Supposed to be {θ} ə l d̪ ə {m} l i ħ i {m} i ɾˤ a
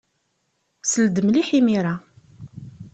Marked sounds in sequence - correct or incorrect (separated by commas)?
incorrect, correct, correct